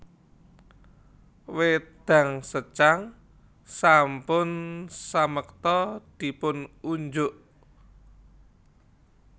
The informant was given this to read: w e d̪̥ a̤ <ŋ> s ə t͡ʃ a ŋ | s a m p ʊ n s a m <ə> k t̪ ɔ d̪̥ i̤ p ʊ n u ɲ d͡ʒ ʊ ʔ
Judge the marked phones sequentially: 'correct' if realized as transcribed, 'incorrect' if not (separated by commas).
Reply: correct, correct